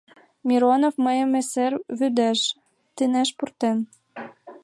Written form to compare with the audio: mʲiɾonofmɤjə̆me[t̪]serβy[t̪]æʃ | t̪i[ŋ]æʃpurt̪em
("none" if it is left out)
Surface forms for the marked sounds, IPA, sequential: none, d̪, n

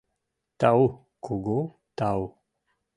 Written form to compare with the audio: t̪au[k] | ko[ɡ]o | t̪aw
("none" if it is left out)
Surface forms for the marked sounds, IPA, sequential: none, ɡ

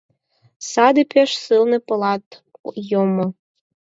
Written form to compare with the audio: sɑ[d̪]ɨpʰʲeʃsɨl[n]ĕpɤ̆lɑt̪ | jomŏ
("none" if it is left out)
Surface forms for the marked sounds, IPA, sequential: d̪, n

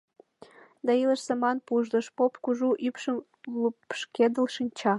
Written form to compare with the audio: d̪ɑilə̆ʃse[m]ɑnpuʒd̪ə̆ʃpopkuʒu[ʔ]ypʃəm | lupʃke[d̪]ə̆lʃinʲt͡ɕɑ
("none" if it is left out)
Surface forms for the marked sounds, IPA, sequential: m, ʔ, d̪

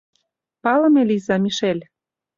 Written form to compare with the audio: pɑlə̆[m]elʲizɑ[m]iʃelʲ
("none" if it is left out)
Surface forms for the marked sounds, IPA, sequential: m, m

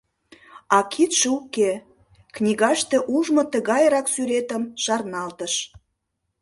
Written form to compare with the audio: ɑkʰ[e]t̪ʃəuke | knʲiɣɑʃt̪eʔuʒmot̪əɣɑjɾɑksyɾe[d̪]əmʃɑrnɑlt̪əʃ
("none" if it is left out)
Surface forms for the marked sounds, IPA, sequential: i, t̪

